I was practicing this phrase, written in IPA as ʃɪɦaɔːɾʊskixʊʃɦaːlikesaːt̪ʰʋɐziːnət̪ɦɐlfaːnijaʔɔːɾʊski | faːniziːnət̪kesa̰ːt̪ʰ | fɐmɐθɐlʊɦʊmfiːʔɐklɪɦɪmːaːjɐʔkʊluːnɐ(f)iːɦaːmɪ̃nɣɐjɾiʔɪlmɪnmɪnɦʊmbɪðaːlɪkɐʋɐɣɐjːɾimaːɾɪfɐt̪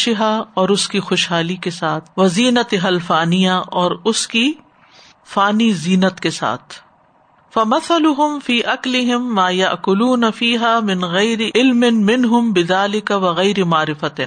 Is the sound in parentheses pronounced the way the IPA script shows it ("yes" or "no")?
yes